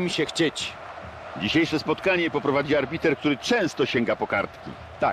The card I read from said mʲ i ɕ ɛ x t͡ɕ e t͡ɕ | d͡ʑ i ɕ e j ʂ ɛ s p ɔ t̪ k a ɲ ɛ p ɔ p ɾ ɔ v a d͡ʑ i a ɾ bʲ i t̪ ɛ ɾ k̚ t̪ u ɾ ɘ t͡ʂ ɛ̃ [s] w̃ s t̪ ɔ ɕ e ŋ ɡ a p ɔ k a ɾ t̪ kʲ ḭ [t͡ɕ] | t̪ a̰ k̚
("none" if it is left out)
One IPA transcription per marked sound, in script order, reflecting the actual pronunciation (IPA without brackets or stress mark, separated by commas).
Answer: none, none